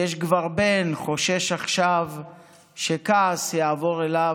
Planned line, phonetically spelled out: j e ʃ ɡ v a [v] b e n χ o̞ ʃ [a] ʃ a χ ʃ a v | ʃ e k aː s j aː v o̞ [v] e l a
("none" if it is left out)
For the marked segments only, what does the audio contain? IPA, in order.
ʁ, e, ʁ

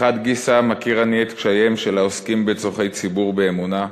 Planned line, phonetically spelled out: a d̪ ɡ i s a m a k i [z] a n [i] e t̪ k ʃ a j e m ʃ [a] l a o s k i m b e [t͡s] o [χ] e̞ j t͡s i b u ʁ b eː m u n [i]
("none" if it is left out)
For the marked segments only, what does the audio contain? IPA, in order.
ʁ, i, e, t͡s, χ, a

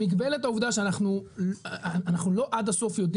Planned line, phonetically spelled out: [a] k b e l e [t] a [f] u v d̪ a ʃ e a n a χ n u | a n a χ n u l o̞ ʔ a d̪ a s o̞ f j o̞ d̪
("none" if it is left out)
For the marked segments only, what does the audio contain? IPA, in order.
i, t, none

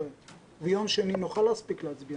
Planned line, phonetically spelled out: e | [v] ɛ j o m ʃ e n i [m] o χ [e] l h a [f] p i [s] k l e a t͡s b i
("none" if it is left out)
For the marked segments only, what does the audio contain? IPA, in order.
v, n, a, s, none

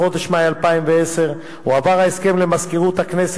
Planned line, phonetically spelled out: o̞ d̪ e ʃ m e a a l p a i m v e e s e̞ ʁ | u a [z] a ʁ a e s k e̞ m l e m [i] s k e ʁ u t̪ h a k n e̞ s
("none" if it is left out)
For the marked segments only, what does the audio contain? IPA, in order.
v, a

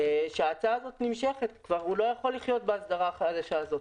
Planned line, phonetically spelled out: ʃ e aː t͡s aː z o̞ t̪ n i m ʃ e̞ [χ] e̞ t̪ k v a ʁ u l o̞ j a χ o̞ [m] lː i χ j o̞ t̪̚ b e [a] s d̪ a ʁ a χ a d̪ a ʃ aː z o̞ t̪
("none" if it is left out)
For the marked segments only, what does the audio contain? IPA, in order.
χ, none, a

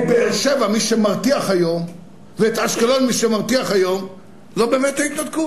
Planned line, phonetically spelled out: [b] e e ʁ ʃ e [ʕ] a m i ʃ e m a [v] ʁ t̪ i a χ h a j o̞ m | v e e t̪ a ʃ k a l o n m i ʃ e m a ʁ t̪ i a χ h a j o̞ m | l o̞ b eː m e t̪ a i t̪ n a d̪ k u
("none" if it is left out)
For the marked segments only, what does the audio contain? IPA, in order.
b, v, none

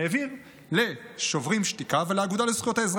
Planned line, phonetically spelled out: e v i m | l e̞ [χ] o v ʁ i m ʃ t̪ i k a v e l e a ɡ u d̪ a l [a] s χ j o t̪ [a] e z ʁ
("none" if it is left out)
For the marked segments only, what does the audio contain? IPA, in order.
ʃ, e, a

